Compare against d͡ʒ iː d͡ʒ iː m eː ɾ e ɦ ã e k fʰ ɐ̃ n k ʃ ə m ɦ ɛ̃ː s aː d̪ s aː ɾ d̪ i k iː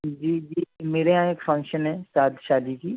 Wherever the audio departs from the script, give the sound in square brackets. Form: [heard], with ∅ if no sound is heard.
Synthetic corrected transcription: d͡ʒ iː d͡ʒ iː m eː ɾ e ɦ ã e k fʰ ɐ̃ [ŋ] k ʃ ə [n] ɦ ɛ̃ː s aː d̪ [ʃ] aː [∅] d̪ i k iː